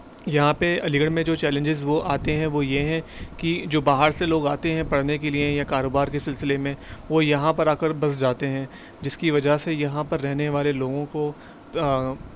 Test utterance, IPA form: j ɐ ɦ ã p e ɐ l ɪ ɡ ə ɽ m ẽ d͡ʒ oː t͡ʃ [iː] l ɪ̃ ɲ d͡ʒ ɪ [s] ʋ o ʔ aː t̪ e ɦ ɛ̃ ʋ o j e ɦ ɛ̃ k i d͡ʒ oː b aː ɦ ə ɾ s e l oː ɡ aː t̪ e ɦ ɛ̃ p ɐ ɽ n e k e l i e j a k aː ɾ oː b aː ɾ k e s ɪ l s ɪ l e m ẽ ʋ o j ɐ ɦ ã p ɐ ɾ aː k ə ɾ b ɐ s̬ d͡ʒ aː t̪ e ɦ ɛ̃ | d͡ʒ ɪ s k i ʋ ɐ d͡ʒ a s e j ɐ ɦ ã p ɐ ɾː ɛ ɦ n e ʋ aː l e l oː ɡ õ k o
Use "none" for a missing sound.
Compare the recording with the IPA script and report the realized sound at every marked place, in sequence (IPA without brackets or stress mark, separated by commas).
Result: ɛː, z